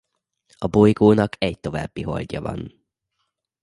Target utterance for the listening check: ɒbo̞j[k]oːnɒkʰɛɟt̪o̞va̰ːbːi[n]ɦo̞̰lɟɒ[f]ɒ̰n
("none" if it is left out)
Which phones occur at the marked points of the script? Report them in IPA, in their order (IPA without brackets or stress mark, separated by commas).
ɡ, none, v